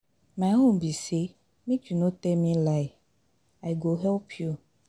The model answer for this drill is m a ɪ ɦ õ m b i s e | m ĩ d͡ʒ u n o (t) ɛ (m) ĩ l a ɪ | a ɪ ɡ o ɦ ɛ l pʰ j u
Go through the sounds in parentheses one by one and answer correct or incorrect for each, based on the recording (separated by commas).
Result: correct, correct